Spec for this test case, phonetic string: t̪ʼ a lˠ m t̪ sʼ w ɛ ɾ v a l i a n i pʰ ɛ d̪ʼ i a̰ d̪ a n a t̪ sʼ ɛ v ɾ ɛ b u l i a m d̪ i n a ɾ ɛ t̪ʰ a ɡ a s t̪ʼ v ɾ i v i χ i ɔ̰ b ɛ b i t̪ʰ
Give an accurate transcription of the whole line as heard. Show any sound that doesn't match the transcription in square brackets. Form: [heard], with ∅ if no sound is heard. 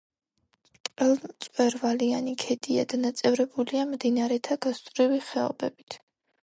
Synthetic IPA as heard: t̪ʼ [ɛ] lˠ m t̪ sʼ w ɛ ɾ v a l i a n i [kʰ] ɛ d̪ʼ i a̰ d̪ a n a t̪ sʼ ɛ v ɾ ɛ b u l i a m d̪ i n a ɾ ɛ t̪ʰ a ɡ a s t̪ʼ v ɾ i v i χ [ɛ] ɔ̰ b ɛ b i t̪ʰ